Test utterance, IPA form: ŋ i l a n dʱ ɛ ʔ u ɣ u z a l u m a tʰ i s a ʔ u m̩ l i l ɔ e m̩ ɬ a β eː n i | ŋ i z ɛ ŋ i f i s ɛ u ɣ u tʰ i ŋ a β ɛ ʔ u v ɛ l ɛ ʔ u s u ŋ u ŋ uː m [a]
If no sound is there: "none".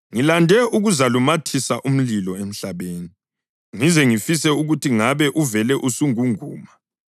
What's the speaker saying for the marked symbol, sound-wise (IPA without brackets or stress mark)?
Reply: a